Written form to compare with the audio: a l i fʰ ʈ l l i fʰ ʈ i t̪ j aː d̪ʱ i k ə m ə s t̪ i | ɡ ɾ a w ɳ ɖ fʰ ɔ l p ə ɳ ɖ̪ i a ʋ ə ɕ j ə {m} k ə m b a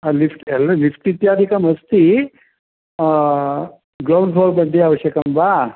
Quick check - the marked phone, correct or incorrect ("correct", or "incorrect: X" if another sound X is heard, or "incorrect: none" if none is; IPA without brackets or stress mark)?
incorrect: none